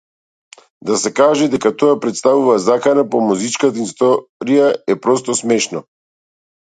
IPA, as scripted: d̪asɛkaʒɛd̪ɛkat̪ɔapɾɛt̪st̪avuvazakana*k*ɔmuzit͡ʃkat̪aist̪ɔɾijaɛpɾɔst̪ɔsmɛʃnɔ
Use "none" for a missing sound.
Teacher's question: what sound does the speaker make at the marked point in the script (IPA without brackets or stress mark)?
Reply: p